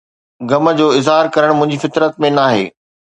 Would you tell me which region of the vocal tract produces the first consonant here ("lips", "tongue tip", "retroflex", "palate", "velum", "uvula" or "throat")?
velum